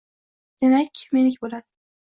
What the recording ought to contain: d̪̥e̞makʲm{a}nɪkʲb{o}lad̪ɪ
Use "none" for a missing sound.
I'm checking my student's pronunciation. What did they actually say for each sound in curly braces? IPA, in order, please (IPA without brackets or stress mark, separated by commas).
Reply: e, o